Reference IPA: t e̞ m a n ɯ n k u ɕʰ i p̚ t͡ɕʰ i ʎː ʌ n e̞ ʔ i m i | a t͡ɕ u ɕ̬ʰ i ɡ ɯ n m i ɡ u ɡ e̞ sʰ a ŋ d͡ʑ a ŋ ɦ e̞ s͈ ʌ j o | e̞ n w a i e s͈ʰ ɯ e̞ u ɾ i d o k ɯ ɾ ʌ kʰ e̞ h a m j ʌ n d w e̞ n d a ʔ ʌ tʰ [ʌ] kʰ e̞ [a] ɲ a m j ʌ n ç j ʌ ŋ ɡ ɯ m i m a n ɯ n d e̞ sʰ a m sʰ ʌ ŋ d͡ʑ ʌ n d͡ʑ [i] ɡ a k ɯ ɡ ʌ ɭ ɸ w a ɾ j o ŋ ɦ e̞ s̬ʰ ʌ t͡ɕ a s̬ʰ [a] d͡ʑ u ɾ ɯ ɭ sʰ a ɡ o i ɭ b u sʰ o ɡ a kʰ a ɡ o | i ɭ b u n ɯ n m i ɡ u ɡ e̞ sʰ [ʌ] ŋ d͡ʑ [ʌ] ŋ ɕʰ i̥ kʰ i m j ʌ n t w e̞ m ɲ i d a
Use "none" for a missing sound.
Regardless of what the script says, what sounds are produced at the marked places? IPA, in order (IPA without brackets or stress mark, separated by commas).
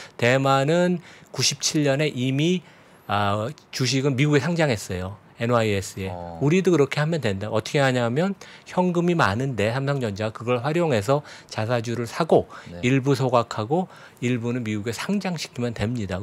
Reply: ʌ, a, a, a, a, a